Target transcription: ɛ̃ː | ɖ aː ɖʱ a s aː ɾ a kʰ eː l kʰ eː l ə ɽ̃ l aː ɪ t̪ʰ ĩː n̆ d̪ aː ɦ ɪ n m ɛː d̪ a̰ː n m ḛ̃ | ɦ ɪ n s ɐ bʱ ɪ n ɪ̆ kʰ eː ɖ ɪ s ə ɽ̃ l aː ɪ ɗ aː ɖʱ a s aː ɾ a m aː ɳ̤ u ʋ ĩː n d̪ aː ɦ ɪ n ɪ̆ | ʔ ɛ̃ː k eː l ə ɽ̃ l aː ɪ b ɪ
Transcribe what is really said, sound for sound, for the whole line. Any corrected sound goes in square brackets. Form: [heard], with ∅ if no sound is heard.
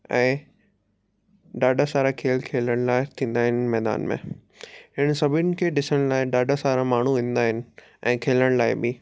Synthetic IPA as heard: ɛ̃ː | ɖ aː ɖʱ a s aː ɾ a kʰ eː l kʰ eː l ə ɽ̃ l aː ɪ t̪ʰ ĩː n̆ d̪ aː ɦ ɪ n m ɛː d̪ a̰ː n m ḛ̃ | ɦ ɪ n s ɐ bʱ ɪ n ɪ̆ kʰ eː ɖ ɪ s ə ɽ̃ l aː ɪ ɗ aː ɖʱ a s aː ɾ a m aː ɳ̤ u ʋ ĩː n d̪ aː ɦ ɪ n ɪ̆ | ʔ ɛ̃ː [kʰ] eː l ə ɽ̃ l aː ɪ b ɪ